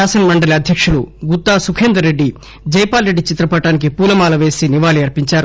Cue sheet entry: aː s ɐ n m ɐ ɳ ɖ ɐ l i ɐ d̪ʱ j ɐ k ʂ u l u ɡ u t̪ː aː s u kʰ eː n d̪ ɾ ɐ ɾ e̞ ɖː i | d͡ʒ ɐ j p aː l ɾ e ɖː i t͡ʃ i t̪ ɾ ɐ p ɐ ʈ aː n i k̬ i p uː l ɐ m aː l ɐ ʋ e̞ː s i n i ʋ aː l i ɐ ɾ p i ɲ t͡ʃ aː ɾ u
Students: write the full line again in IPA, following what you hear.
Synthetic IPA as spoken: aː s ɐ n m ɐ ɳ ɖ ɐ l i ɐ d̪ʱ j ɐ k ʂ u l u ɡ u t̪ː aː s u kʰ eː n d̪ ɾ ɐ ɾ e̞ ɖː i | d͡ʒ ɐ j p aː l ɾ e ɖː i t͡ʃ i t̪ ɾ ɐ p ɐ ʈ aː n i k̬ i p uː l ɐ m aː l ɐ ʋ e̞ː s i n i ʋ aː l i ɐ ɾ p i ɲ t͡ʃ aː ɾ u